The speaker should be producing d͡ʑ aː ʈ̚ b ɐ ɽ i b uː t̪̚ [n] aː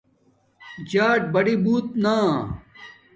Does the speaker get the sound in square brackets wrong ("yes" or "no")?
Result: no